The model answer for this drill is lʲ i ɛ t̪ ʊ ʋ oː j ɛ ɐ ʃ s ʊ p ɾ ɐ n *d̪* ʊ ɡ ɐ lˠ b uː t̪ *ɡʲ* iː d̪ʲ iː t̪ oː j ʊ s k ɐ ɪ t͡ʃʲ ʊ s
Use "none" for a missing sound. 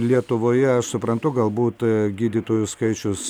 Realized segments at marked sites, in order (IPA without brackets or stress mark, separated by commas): t̪, ɡʲ